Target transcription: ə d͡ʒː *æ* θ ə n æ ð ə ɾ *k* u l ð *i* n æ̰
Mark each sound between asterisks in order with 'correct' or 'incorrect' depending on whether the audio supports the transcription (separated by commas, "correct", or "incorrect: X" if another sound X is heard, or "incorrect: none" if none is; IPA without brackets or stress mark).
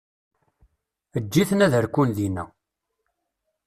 incorrect: i, correct, correct